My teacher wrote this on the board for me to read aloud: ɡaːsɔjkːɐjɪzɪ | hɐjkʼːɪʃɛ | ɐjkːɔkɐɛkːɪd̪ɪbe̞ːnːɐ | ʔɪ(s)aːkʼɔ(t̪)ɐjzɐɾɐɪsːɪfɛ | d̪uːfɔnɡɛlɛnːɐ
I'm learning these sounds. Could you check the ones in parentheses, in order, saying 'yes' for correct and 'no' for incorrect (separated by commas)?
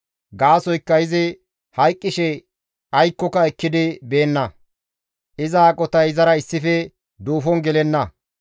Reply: no, yes